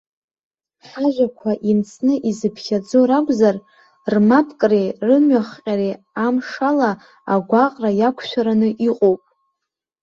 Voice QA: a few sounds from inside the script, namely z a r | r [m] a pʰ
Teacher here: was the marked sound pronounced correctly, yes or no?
yes